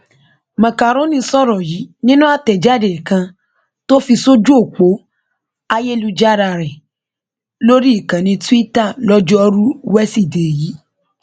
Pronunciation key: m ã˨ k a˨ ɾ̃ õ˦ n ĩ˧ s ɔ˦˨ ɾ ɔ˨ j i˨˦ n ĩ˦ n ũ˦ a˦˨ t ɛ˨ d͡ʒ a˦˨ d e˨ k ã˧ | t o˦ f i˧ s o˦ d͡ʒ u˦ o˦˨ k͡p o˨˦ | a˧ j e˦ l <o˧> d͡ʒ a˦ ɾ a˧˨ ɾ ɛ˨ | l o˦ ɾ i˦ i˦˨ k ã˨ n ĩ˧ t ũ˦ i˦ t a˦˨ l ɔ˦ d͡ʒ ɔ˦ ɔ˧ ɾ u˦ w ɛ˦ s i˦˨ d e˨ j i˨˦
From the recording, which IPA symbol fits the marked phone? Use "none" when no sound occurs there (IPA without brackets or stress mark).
u˧